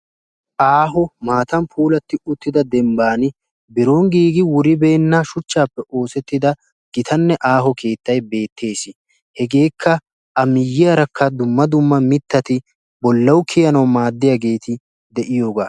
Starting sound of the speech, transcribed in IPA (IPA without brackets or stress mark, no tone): ʔ